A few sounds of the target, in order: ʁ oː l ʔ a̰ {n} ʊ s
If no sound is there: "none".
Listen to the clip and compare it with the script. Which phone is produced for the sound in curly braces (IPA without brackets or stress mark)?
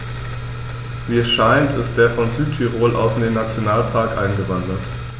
none